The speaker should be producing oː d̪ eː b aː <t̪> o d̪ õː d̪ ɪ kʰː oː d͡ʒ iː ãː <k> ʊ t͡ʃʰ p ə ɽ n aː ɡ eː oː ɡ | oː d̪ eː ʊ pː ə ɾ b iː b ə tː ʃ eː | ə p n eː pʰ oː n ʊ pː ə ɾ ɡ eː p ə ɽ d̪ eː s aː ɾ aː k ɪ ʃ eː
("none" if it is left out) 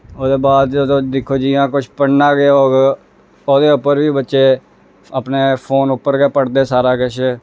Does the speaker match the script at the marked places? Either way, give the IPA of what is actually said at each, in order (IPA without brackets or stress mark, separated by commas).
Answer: d̪, k